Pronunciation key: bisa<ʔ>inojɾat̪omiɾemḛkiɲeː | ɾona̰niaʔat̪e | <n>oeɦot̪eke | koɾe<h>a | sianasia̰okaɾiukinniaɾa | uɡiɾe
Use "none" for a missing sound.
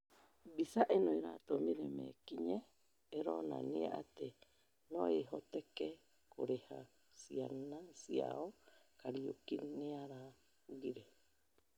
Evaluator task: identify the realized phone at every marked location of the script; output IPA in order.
ʔ, n, h

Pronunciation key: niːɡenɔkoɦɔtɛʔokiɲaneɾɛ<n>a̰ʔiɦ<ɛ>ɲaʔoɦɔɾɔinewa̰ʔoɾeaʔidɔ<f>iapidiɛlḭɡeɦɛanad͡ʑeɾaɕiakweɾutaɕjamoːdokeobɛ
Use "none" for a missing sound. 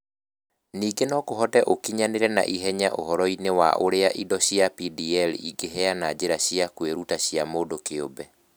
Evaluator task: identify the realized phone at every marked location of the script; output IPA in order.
n, ɛ, ɕ

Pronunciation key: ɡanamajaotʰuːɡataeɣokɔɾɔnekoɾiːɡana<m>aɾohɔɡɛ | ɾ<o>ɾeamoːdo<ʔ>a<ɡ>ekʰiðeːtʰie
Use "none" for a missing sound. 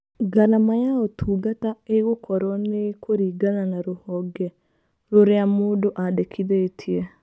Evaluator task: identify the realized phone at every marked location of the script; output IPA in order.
n, o, ʔ, d

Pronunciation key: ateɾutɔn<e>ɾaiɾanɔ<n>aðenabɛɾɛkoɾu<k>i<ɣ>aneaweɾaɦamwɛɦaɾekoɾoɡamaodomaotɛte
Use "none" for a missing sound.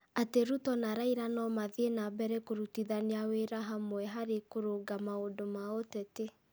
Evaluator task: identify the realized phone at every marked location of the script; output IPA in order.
a, m, t, ð

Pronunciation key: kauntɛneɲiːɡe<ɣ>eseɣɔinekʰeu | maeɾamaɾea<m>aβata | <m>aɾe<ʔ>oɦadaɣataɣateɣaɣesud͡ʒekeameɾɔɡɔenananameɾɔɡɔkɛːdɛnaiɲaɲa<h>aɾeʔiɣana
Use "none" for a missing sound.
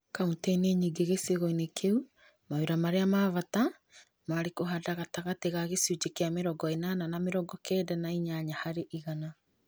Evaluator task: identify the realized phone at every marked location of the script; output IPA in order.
ɣ, m, m, k, h

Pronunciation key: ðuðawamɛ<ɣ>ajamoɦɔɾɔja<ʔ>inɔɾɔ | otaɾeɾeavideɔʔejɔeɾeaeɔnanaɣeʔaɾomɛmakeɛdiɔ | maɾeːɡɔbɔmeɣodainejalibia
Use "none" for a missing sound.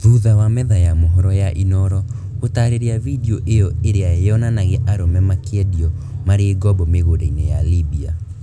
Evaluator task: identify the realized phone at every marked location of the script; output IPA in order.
ð, ʔ

